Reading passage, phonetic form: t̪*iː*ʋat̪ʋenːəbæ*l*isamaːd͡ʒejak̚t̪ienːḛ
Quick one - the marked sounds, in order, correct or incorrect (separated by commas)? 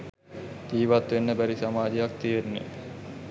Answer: correct, incorrect